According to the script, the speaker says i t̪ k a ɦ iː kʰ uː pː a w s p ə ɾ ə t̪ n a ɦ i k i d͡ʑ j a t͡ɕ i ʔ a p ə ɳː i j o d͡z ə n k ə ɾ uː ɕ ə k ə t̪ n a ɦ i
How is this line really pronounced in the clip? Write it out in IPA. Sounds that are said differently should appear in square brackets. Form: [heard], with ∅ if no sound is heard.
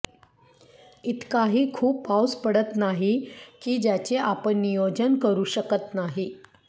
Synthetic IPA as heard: i t̪ k a ɦ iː kʰ uː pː a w s p ə [ɽ] ə t̪ n a ɦ i k [iː] d͡ʑ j a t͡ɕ [e] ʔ a p ə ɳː i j o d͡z ə n k ə ɾ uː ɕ ə k ə t̪ n a ɦ i